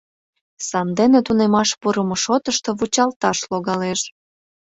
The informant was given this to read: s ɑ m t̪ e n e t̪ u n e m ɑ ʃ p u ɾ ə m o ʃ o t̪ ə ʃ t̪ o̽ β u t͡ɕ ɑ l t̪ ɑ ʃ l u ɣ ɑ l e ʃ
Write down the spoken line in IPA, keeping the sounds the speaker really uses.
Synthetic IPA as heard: s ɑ m d̪ e n e t̪ u n e m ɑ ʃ p u ɾ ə m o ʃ o t̪ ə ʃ t̪ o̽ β u t͡ɕ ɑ l t̪ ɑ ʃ l o ɣ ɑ l e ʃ